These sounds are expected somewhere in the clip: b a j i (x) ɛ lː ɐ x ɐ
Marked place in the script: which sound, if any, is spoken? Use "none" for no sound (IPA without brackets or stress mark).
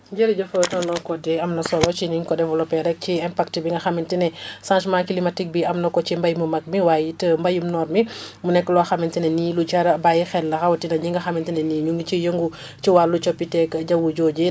x